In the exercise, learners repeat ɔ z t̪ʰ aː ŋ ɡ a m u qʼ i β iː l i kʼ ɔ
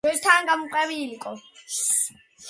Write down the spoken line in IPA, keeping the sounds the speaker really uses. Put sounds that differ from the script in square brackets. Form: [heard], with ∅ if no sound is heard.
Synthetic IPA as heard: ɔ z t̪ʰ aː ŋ ɡ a m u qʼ [ɛ] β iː l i kʼ ɔ